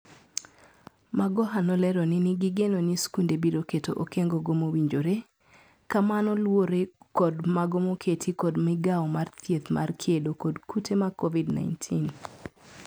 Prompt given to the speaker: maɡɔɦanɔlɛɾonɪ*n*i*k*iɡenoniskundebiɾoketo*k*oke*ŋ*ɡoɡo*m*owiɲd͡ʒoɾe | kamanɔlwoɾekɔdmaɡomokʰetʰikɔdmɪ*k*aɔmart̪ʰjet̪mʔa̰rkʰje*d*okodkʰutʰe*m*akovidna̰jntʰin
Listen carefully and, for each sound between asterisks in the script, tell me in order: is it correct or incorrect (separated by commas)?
correct, incorrect, incorrect, correct, correct, incorrect, correct, correct